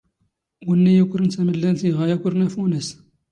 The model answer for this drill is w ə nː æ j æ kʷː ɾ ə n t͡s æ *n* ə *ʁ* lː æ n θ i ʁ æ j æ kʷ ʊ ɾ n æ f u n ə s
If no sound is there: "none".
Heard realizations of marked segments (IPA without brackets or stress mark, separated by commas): m, none